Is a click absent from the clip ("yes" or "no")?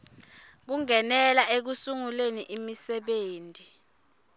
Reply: yes